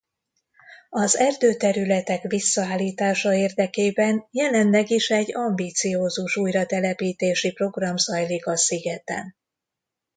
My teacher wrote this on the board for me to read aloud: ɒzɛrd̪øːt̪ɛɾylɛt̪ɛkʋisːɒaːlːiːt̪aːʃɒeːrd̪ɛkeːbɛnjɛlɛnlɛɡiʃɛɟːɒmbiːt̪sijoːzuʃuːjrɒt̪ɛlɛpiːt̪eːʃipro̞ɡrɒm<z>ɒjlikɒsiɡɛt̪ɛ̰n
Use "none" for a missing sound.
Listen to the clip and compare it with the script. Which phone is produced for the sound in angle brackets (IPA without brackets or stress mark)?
z